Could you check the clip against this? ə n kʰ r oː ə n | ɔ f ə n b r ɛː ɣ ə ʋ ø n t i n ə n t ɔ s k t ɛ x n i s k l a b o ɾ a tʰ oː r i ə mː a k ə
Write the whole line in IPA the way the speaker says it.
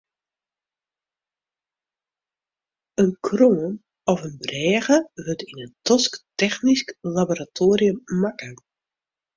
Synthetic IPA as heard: ə n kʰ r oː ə n | ɔ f ə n b r ɛː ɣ ə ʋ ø t i n ə n t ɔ s k t ɛ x n i s k l a b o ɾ a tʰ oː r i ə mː a k ə